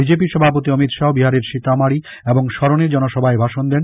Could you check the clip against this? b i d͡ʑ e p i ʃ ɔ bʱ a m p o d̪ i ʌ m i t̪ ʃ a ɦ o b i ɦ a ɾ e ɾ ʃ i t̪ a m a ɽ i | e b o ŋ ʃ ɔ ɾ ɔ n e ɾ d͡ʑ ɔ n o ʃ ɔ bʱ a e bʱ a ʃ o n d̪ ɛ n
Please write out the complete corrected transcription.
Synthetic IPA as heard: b i d͡ʑ e p i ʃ ɔ bʱ a p o t̪ i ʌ m i t̪ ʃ a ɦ o b i ɦ a ɾ e ɾ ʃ i t̪ a m a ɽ i | e b o ŋ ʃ ɔ ɾ o n e ɾ d͡ʑ ɔ n o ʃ ɔ bʱ a e bʱ a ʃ o n d̪ ɛ n